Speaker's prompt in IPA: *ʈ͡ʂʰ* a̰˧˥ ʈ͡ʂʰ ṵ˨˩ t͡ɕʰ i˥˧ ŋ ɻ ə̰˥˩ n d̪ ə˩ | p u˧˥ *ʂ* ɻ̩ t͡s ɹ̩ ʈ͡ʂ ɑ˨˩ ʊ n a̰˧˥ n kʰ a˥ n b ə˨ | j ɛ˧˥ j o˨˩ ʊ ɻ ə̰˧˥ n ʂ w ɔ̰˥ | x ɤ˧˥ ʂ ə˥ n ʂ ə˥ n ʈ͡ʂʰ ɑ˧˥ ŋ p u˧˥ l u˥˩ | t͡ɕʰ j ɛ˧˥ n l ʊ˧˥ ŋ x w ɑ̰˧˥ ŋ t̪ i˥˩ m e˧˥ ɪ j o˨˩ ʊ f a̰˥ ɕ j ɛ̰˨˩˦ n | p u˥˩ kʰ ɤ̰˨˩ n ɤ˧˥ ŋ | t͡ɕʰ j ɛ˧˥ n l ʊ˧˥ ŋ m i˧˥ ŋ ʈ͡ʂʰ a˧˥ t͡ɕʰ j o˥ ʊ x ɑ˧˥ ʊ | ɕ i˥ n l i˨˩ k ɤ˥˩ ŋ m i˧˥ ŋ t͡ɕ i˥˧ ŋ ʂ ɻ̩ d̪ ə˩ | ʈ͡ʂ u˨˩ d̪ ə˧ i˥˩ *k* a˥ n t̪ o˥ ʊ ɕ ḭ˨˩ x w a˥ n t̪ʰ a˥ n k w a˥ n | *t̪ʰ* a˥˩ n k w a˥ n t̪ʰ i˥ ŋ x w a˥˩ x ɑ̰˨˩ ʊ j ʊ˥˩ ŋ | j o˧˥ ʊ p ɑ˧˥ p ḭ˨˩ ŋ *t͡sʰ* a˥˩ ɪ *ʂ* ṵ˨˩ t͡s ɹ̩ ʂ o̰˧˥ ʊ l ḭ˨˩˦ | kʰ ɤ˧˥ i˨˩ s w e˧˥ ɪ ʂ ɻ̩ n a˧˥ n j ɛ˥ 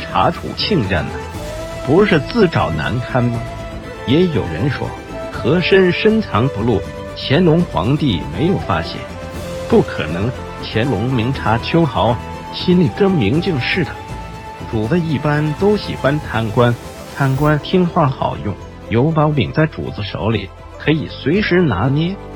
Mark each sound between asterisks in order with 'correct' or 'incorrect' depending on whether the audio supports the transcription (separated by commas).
correct, correct, incorrect, correct, incorrect, incorrect